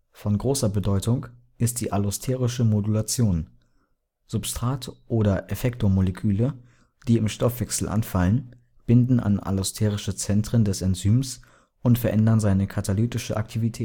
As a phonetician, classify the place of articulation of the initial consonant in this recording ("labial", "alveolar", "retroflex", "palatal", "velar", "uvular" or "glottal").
labial